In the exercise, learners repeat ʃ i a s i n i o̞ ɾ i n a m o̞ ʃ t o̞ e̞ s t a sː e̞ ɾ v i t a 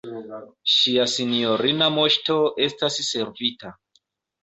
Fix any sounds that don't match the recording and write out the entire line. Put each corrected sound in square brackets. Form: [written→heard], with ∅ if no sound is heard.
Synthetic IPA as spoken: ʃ i a s i n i o̞ ɾ i n a m o̞ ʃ t o̞ e̞ s t a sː e̞ ɾ v i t a